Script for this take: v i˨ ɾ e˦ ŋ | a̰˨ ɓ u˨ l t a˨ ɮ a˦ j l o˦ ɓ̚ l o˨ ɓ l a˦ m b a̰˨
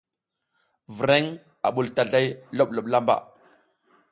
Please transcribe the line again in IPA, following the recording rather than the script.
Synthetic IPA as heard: v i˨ ɾ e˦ ŋ | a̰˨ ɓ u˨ l t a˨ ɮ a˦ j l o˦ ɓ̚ l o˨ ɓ l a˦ m b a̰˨